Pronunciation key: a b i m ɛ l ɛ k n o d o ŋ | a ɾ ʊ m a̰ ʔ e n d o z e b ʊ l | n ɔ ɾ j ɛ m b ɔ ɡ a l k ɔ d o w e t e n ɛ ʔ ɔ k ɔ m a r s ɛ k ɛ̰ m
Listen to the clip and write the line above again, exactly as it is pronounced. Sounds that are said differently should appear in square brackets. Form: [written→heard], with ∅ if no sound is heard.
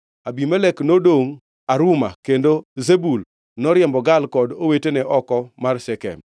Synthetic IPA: a b i m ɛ l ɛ k n o d o ŋ | a ɾ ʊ m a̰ [ʔ→k] e n d o z e b [ʊ→u] l | n ɔ ɾ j ɛ m b ɔ ɡ a l k ɔ d o w e t e n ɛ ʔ ɔ k ɔ m a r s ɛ k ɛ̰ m